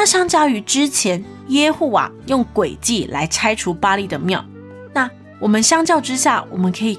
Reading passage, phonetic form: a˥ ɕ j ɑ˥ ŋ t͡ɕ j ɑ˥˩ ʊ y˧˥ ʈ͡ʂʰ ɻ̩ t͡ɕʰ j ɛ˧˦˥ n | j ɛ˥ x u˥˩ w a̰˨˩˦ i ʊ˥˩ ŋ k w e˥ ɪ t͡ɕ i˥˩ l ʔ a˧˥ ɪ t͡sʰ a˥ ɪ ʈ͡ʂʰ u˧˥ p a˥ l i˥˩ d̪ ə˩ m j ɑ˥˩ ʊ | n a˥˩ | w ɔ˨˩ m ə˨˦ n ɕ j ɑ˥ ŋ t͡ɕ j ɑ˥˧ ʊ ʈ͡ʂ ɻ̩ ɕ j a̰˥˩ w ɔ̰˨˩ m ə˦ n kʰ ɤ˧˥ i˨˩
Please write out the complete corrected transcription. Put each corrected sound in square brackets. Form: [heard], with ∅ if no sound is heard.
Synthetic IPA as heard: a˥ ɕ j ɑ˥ ŋ t͡ɕ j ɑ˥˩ ʊ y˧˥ [ʈ͡ʂ] ɻ̩ t͡ɕʰ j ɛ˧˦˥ n | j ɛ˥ x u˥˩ w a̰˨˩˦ [j] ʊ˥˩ ŋ k w [e˨˩] ɪ t͡ɕ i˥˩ l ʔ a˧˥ ɪ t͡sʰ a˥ ɪ ʈ͡ʂʰ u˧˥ p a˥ l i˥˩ d̪ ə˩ m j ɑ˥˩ ʊ | n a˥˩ | w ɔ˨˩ m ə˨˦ n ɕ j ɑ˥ ŋ t͡ɕ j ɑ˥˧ ʊ ʈ͡ʂ ɻ̩ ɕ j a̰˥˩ w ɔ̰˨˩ m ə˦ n kʰ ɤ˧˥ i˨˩